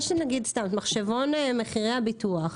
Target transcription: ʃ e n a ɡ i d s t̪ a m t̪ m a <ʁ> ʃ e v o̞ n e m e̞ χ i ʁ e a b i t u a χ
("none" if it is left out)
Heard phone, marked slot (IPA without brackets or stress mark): χ